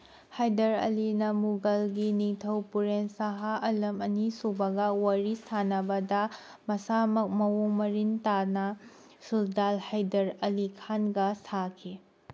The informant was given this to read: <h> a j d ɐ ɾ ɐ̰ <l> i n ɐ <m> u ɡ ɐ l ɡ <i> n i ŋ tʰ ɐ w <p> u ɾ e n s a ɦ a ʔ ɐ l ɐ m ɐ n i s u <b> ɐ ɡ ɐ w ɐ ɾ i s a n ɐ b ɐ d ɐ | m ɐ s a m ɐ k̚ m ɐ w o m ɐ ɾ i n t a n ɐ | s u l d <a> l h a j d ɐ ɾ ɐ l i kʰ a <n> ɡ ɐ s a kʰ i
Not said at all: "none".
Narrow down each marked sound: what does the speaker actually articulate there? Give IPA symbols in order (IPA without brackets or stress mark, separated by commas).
h, l, m, i, p, b, a, n